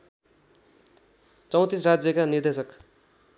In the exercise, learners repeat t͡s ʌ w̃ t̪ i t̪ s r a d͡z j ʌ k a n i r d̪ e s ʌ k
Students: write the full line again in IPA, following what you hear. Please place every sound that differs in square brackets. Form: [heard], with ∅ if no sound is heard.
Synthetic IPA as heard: t͡s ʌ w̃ t̪ i [∅] s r a d͡z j ʌ k a n i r d̪ e s ʌ k